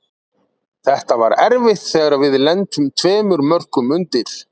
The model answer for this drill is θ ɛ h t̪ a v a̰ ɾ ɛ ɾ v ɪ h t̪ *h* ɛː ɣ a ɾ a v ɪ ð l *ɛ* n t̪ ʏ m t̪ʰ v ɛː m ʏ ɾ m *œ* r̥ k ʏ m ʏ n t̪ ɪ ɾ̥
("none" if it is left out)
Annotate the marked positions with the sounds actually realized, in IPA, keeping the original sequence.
θ, ɛ, œ

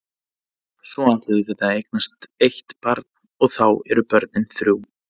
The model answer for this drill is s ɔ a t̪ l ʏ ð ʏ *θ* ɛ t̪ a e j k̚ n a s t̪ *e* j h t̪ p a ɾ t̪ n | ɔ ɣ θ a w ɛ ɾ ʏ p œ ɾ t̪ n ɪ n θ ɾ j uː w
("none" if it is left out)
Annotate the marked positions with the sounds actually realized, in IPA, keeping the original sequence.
θ, e

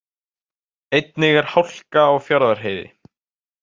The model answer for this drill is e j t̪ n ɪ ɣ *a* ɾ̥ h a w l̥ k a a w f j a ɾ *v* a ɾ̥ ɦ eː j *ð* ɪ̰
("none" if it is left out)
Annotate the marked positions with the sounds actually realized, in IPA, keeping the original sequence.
ɛ, ð, ð

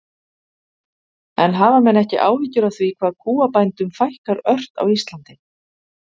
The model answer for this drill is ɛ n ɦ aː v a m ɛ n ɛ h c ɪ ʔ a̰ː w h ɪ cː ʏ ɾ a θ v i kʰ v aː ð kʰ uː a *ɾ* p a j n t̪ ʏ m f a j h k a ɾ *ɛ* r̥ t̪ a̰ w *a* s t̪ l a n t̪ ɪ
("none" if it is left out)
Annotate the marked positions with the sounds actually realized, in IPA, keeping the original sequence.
none, œ, i

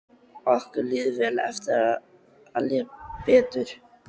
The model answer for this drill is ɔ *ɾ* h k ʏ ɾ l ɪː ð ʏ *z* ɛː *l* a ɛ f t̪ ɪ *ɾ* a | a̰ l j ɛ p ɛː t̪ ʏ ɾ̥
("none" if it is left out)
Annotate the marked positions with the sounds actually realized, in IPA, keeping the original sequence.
none, v, l, ɾ

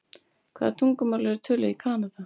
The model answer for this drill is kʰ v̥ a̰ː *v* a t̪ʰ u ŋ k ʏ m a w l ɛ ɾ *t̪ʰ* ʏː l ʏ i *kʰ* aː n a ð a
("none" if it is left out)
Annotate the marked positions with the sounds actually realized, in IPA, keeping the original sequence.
ð, t̪ʰ, kʰ

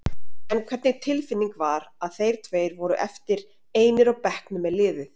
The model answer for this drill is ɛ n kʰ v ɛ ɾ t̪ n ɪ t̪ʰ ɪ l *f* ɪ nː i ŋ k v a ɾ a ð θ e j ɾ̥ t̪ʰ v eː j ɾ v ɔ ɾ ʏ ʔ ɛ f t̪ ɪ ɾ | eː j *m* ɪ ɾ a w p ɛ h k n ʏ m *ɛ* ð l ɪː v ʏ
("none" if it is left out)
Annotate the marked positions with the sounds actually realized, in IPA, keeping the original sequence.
f, n, ɛ

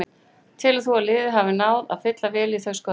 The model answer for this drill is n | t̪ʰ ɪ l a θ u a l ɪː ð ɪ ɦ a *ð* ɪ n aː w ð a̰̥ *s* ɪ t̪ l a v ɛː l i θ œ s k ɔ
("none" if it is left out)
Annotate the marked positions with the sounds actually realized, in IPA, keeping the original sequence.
v, f

